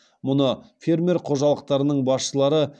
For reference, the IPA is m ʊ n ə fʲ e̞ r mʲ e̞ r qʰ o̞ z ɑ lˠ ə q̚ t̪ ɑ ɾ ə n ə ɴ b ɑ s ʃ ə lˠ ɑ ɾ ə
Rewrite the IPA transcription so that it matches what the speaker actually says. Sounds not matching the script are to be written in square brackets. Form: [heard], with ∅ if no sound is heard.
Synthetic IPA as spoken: m ʊ n ə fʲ e̞ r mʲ e̞ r qʰ o̞ [ʒ] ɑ lˠ ə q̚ t̪ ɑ ɾ ə n ə ɴ b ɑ s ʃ ə lˠ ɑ ɾ ə